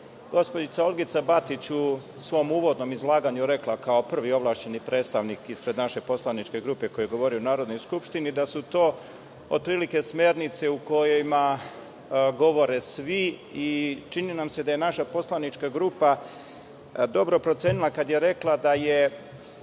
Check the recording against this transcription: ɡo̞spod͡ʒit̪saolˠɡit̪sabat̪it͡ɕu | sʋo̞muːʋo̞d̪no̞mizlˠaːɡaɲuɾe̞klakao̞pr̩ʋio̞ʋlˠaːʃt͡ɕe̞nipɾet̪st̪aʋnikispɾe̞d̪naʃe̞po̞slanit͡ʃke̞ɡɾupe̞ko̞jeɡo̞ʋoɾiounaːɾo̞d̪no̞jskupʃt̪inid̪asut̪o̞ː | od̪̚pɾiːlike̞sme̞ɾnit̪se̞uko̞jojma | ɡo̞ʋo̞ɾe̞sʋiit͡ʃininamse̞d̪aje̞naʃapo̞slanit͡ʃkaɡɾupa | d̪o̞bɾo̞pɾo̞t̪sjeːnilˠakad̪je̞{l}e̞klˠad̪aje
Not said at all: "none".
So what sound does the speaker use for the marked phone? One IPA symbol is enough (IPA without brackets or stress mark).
ɾ